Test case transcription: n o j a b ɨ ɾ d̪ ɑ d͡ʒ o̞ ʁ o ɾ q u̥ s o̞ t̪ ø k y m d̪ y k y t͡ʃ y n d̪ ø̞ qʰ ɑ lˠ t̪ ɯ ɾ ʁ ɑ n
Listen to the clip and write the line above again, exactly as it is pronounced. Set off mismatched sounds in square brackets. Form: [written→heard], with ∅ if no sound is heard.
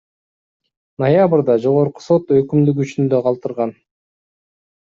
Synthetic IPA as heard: n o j a b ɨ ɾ d̪ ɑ d͡ʒ o̞ ʁ o ɾ q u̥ s o̞ t̪ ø k y m d̪ y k y t͡ʃ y n d̪ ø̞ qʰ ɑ lˠ t̪ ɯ ɾ ʁ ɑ n